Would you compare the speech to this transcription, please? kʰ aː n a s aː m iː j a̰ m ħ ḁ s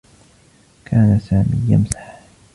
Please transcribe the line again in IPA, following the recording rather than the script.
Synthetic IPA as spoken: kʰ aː n a s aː m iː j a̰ m s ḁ ħ